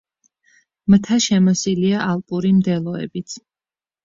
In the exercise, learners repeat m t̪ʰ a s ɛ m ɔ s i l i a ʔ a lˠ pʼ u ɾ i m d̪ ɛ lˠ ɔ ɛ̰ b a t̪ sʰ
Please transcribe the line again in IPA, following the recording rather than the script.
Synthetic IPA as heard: m t̪ʰ a ʃ ɛ m ɔ s i l i a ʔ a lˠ pʼ u ɾ i m d̪ ɛ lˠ ɔ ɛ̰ b i t̪ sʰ